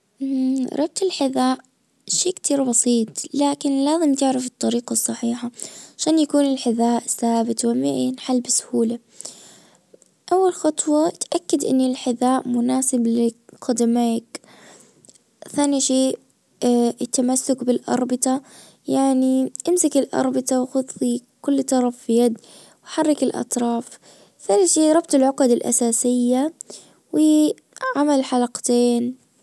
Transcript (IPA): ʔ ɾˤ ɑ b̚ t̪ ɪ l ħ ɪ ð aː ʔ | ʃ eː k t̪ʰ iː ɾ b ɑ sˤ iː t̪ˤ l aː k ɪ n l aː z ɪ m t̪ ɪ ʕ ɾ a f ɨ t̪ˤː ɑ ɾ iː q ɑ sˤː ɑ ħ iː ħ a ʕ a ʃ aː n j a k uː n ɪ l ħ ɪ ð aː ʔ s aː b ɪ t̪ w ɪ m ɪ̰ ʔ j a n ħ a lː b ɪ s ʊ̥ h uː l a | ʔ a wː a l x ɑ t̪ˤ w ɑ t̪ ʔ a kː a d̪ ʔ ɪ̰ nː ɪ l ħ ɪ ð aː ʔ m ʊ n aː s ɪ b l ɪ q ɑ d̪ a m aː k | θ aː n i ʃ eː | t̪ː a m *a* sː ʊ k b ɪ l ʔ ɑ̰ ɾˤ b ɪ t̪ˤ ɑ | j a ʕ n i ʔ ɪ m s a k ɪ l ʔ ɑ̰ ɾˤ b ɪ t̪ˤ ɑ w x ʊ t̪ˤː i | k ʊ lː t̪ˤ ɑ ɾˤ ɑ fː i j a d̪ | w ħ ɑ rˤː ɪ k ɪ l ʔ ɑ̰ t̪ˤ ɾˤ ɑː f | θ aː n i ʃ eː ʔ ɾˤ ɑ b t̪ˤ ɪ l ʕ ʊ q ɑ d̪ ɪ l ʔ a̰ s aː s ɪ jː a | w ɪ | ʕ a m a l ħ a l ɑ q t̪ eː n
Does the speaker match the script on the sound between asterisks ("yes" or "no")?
yes